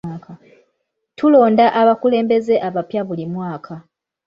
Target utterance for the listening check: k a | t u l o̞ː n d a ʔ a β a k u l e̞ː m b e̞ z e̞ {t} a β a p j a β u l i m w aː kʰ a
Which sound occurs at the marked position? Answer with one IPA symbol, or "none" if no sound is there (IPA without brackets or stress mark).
ʔ